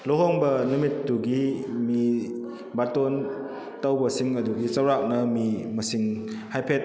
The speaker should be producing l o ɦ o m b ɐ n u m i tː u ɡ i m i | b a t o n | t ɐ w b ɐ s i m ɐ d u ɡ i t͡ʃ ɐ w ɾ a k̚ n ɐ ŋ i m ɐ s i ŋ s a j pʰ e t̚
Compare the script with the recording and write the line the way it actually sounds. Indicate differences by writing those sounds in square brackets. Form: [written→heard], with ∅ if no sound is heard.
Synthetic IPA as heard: l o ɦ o [m→ŋ] b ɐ n u m i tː u ɡ i m i | b a t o n | t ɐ w b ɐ s i [m→ŋ] ɐ d u ɡ i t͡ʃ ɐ w ɾ a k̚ n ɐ [ŋ→m] i m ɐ s i ŋ [s→h] a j pʰ e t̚